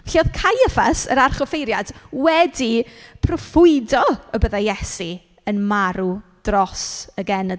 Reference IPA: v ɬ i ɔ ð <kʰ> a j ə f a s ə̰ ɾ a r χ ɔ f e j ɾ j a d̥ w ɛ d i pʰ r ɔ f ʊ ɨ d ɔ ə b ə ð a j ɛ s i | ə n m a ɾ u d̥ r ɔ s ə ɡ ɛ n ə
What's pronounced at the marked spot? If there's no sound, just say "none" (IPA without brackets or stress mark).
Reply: kʰ